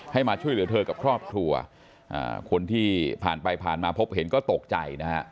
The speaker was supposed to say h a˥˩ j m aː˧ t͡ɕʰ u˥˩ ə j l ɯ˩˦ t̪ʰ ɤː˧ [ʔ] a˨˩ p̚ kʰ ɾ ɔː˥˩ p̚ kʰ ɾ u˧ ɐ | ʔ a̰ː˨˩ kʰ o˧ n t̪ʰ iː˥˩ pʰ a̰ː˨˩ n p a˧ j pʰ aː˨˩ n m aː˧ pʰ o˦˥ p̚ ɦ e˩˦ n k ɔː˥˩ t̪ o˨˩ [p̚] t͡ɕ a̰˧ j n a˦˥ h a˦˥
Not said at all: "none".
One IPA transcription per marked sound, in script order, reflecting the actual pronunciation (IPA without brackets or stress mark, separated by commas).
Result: k, k̚